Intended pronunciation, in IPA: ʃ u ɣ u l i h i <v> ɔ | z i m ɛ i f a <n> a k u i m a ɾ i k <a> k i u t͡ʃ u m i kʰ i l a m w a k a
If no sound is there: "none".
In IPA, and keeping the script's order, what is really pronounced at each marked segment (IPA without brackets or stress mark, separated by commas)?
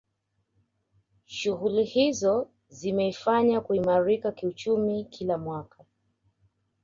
z, ɲ, a